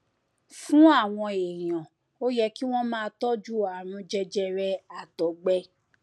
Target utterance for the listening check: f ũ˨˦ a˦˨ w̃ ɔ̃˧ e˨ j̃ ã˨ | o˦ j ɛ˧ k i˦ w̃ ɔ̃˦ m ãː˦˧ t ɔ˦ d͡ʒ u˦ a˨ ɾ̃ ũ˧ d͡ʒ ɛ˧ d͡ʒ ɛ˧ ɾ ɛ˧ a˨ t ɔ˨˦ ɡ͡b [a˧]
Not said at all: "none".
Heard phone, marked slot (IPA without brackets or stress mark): ɛ˧